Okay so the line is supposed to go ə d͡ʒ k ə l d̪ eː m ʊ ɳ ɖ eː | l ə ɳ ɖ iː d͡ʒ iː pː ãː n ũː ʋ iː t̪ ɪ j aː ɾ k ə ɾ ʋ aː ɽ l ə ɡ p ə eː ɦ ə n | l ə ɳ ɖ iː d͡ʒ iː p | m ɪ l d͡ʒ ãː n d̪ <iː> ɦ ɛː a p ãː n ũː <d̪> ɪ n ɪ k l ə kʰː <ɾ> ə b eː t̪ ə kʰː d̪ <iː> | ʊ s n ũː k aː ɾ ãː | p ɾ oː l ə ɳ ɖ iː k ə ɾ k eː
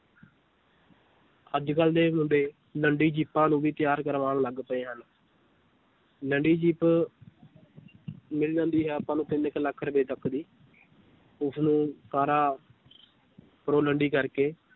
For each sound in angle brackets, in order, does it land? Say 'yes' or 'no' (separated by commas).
yes, no, yes, yes